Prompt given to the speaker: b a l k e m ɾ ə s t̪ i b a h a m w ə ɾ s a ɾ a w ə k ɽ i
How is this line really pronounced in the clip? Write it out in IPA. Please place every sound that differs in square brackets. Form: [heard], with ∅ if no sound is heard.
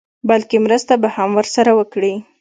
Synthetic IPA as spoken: b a l k e m ɾ ə s t̪ [a] b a h a m w ə ɾ s a ɾ a w ə k ɽ i